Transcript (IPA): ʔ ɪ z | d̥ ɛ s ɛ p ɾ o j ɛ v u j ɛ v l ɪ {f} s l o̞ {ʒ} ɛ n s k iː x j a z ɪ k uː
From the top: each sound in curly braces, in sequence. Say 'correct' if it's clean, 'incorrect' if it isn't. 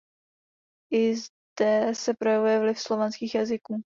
correct, incorrect

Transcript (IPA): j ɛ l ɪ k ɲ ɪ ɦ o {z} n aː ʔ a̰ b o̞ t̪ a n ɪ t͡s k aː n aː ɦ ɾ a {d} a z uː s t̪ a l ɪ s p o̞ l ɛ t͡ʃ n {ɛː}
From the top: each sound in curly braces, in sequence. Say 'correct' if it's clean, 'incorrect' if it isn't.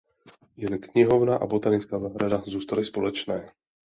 incorrect, correct, correct

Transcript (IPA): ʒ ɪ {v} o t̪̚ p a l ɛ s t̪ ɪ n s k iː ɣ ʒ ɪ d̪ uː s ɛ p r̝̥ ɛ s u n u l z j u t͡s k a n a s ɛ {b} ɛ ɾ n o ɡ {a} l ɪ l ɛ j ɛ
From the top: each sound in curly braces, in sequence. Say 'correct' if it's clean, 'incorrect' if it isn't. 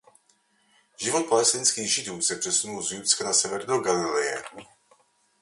correct, incorrect, correct

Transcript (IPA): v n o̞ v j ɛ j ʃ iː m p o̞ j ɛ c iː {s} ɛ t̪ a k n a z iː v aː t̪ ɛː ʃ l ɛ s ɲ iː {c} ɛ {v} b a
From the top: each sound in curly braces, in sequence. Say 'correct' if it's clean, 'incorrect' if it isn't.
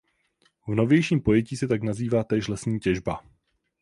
correct, correct, incorrect

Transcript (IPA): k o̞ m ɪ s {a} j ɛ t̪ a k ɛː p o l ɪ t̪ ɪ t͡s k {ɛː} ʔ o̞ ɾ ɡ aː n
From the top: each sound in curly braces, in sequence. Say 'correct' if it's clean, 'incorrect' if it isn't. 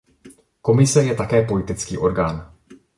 incorrect, incorrect

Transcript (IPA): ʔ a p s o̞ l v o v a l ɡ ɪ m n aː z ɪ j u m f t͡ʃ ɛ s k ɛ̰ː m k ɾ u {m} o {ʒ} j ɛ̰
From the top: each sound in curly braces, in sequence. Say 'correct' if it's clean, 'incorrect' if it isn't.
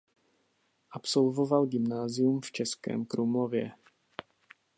correct, incorrect

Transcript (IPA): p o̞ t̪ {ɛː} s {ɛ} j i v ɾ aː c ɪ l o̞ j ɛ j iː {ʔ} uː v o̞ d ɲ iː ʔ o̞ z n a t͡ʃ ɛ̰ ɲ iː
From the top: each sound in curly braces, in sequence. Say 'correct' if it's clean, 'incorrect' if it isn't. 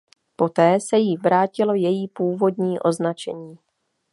correct, correct, incorrect

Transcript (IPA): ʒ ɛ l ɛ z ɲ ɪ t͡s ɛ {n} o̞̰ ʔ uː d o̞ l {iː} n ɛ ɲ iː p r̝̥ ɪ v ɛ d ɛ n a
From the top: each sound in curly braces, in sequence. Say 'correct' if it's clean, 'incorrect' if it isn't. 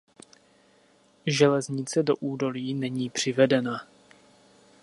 incorrect, correct

